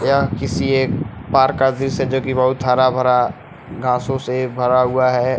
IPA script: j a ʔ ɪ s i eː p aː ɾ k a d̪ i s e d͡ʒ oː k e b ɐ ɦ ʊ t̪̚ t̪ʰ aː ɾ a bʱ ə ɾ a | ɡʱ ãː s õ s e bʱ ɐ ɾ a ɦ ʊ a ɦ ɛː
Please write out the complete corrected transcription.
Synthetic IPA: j a k ɪ s i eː p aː ɾ k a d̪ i s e d͡ʒ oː k i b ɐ ɦ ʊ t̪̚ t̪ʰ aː ɾ a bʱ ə ɾ a | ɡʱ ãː s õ s e bʱ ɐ ɾ a ɦ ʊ a ɦ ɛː

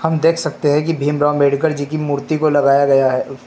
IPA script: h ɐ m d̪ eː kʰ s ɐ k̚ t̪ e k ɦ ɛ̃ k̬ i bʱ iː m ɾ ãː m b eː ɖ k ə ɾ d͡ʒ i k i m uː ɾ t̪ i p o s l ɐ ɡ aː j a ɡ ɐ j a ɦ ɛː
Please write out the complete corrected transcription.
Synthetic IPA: h ɐ m d̪ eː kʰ s ɐ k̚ t̪ e ɦ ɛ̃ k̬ i bʱ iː m ɾ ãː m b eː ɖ k ə ɾ d͡ʒ i k i m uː ɾ t̪ i k o l ɐ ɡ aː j a ɡ ɐ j a ɦ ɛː

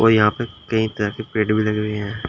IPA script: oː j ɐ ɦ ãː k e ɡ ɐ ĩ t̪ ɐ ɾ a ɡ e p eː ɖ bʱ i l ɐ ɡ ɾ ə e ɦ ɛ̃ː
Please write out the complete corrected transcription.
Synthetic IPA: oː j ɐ ɦ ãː p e k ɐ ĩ t̪ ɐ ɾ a k e p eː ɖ bʱ i l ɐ ɡ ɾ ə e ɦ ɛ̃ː

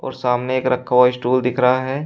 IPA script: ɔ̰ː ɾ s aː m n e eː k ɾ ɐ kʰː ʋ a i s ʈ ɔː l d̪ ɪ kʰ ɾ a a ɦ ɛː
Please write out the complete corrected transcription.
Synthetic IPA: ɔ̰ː ɾ s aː m n e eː k ɾ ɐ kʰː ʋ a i s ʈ uː l d̪ ɪ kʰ ɾ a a ɦ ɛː

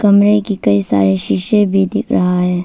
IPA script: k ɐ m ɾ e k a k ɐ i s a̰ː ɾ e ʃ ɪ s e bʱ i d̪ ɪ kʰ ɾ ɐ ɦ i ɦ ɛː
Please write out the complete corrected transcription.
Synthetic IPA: k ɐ m ɾ e k i k ɐ i s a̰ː ɾ e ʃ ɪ ʃ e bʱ i d̪ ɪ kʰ ɾ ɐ ɦ a ɦ ɛː

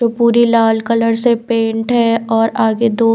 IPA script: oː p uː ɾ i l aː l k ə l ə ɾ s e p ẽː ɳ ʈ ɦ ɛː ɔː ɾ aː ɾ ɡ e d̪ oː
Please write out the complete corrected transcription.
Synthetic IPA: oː p uː ɾ i l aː l k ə l ə ɾ s e p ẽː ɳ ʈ ɦ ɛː ɔː ɾ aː ɡ e d̪ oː

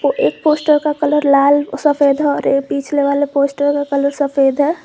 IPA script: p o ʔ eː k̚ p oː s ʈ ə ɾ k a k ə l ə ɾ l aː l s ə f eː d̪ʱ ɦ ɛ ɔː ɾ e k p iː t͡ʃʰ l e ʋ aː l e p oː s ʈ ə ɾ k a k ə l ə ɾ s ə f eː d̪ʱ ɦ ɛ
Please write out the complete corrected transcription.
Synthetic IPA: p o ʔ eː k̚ p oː s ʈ ə ɾ k a k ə l ə ɾ l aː l s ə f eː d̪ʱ ɦ ɛ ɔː ɾ e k p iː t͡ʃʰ l e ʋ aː l e p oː s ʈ ə ɾ k a k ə l ə ɾ s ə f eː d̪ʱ ɦ ɛ

